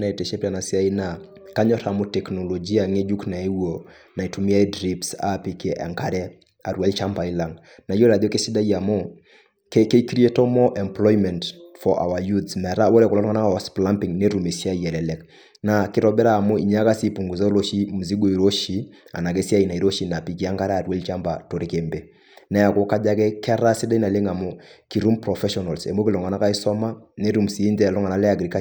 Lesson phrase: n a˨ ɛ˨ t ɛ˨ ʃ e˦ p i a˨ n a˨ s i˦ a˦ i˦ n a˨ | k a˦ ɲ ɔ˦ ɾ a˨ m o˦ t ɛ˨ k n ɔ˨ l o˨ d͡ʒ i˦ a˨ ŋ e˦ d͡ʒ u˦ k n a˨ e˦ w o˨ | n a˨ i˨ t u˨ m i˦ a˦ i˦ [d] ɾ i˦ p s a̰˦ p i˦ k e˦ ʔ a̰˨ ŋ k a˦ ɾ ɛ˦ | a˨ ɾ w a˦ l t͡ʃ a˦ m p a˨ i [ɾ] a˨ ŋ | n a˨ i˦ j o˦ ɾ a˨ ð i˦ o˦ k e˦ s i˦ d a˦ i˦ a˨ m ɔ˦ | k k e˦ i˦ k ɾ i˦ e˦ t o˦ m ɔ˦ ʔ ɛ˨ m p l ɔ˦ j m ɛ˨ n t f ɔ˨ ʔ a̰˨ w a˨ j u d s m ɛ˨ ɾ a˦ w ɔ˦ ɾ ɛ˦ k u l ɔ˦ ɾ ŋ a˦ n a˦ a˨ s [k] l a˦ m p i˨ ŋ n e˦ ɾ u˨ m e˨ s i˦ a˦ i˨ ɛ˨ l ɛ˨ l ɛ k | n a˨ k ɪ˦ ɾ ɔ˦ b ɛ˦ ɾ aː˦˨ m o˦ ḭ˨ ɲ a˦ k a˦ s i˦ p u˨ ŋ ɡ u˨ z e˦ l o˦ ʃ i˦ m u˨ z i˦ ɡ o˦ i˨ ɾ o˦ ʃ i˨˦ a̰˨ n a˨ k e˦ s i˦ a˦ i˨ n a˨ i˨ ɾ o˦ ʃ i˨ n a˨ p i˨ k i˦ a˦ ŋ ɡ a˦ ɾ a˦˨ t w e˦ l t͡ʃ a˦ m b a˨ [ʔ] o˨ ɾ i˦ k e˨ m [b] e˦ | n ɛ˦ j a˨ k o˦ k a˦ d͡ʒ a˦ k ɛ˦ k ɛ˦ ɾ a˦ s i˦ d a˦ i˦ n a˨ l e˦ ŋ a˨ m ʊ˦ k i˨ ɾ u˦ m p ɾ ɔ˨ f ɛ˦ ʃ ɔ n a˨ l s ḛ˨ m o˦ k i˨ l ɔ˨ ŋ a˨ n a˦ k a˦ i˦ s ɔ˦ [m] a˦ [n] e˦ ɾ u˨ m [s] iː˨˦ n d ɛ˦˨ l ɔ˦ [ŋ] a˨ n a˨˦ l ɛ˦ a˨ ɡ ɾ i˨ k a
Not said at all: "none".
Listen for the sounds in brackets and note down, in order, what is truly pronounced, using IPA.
d, l, p, t, b, m, n, s, ŋ

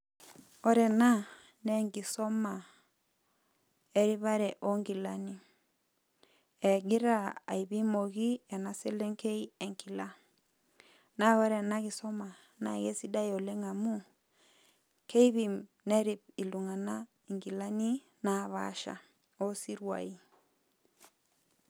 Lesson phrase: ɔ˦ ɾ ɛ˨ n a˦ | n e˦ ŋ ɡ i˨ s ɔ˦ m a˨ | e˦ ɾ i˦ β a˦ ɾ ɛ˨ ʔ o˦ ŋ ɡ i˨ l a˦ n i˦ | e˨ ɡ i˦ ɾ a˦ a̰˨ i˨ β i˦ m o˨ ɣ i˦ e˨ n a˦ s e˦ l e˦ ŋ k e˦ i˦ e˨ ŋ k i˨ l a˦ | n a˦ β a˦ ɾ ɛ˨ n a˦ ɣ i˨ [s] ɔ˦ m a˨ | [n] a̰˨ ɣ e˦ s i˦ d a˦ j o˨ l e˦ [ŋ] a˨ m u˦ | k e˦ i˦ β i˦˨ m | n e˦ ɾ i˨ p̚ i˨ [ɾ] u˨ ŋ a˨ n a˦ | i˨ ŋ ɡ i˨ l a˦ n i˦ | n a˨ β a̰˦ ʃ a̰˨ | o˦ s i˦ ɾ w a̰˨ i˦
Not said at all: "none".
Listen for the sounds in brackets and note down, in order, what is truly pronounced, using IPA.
s, n, ŋ, l

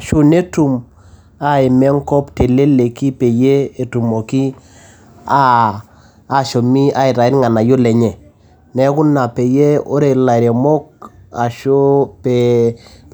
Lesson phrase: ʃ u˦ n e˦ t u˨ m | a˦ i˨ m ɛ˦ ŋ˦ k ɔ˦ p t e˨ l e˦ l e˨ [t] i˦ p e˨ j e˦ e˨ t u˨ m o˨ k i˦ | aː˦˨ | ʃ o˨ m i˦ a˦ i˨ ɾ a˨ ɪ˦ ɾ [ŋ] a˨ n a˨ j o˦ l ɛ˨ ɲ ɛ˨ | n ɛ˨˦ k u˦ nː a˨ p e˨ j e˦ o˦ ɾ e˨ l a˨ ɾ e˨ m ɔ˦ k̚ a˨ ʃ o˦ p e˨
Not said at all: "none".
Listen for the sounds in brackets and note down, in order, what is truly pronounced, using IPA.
k, ŋ

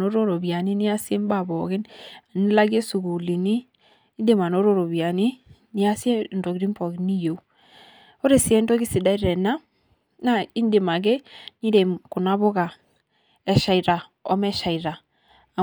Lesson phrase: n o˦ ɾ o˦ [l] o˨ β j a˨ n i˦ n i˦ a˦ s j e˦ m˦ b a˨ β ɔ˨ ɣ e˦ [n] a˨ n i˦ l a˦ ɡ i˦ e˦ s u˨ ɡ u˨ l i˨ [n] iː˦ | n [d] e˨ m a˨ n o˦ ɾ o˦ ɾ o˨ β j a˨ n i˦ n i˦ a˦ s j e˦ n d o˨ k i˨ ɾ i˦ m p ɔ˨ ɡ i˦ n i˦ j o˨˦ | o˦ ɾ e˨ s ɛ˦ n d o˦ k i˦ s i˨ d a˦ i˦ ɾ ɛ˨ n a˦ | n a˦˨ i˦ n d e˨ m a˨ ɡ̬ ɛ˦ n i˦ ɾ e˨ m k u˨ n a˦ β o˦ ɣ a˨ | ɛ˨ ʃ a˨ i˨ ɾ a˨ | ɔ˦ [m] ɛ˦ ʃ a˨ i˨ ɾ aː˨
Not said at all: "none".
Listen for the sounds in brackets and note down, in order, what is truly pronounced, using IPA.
ɾ, n, n, d, m

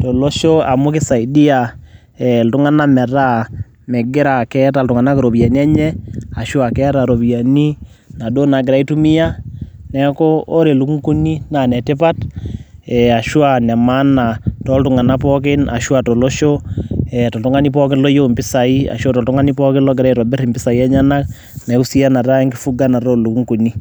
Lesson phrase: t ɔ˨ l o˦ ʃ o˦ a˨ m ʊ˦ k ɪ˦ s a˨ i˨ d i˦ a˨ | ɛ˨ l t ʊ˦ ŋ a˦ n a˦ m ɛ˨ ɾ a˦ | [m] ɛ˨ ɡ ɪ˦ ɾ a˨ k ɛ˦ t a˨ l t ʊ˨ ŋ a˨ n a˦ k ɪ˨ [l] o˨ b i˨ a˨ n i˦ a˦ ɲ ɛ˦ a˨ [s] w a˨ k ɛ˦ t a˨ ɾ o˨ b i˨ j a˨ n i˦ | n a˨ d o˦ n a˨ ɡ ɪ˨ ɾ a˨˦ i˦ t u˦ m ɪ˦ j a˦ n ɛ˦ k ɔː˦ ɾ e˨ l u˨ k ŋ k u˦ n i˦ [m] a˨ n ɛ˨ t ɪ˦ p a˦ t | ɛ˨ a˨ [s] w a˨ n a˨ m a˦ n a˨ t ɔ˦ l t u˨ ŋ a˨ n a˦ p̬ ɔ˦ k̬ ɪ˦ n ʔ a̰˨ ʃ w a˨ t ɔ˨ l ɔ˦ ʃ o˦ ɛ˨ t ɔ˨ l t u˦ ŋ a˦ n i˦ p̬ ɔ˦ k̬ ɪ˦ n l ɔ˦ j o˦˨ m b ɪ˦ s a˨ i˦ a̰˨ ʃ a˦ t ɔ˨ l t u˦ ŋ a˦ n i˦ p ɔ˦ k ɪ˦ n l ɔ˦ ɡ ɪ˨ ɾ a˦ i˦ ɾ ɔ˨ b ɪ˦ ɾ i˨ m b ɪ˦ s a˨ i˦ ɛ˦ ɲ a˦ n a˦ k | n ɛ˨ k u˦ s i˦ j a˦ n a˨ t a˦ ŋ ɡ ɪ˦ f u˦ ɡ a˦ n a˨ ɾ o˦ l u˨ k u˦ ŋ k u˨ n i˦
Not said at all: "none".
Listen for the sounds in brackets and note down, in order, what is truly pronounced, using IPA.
m, ɾ, ʃ, n, ʃ

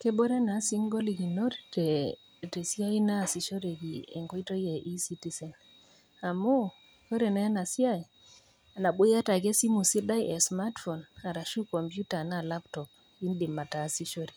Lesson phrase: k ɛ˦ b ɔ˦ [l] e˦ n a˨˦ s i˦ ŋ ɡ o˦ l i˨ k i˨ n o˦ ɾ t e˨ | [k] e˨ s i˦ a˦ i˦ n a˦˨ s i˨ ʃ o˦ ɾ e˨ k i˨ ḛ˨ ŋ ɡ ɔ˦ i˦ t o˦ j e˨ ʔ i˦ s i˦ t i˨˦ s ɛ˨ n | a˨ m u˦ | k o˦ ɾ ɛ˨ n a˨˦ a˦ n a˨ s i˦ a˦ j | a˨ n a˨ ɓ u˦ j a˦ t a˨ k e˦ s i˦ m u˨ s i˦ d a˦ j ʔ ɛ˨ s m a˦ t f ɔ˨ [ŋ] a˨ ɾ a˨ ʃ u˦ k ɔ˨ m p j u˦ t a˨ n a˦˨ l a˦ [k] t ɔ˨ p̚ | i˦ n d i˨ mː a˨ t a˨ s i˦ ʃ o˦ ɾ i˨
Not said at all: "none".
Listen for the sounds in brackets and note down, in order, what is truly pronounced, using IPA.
ɾ, t, n, p

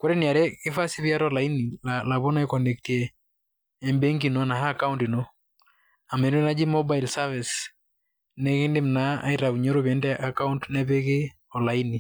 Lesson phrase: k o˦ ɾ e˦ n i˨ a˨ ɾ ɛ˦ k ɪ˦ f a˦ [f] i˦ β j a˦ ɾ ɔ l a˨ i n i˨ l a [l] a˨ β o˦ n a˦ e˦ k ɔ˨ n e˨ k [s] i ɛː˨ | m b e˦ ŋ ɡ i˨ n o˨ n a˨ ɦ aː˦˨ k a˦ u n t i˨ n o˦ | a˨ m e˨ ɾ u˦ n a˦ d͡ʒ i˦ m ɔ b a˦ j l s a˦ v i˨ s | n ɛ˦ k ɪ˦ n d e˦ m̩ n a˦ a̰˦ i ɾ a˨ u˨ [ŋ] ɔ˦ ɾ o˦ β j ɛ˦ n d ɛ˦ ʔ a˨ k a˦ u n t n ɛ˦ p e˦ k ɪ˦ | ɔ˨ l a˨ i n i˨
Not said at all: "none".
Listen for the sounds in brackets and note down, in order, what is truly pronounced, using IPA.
s, l, t, ɲ

